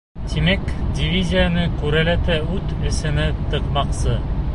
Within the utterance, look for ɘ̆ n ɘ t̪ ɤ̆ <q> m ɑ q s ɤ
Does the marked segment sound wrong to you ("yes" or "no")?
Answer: no